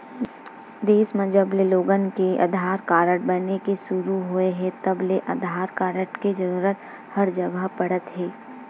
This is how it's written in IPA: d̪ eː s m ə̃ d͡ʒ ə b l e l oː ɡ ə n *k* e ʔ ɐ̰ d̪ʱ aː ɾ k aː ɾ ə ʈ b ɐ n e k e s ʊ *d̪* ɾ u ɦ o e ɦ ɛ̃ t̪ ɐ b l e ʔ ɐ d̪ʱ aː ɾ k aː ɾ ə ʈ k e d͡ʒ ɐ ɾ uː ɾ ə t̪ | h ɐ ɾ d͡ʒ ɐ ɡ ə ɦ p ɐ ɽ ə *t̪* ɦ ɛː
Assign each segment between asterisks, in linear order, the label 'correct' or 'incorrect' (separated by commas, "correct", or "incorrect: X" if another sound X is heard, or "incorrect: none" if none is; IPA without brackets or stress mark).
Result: correct, incorrect: none, correct